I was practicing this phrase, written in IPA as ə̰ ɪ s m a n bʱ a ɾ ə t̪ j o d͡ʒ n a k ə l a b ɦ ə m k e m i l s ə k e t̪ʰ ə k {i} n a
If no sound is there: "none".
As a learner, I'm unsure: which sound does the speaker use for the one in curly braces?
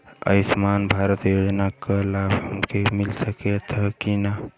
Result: i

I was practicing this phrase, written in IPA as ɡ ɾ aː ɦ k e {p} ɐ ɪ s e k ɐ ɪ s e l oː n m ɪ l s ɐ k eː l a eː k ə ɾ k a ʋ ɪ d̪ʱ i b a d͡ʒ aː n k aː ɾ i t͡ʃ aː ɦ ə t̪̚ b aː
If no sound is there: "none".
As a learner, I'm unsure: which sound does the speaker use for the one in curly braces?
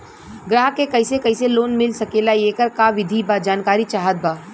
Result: k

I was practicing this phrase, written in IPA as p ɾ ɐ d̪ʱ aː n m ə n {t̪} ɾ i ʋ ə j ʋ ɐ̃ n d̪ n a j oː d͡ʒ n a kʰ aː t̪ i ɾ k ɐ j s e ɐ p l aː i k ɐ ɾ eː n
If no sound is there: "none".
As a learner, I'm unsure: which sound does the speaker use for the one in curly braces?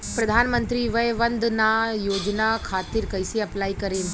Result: t̪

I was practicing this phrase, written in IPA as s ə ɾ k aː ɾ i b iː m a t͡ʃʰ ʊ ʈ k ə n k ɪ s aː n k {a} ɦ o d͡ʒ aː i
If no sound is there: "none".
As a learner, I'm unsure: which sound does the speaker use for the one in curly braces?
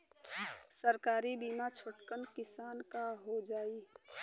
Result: a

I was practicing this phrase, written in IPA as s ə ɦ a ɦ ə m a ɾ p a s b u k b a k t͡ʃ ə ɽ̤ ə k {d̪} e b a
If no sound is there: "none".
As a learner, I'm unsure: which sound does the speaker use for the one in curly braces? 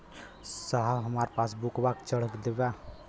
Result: d̪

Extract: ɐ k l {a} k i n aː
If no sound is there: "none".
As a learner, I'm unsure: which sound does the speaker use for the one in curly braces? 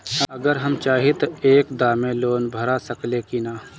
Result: e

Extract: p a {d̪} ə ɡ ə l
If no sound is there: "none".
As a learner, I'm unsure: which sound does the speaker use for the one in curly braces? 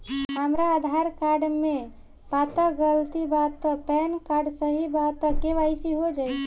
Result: t̪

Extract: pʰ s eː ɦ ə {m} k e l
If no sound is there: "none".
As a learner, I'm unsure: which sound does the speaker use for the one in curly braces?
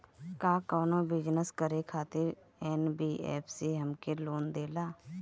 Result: m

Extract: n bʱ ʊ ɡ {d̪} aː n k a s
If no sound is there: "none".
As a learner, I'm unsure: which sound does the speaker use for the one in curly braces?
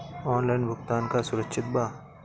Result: t̪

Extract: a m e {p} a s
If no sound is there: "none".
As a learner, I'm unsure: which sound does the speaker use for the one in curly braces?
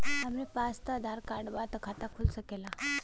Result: p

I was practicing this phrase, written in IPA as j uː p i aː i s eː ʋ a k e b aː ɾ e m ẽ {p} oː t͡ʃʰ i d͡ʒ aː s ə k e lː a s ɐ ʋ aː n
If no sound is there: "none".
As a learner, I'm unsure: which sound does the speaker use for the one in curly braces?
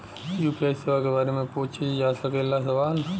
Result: p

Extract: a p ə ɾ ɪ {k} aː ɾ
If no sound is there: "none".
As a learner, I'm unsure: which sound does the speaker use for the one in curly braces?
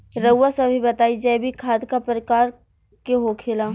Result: k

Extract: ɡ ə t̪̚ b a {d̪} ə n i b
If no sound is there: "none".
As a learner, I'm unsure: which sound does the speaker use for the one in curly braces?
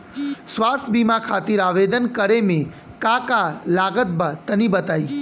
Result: t̪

